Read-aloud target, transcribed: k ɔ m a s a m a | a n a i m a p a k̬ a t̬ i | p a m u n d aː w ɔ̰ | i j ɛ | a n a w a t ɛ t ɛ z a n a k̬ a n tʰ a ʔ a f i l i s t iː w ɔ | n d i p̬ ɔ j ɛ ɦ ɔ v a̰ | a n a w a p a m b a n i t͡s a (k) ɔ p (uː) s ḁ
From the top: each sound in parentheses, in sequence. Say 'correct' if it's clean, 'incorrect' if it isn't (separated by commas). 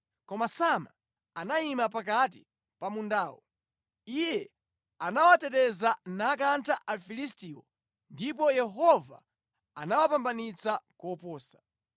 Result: correct, incorrect